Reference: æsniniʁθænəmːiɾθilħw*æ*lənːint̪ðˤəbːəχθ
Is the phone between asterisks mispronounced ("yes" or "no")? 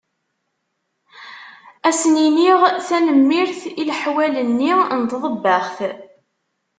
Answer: no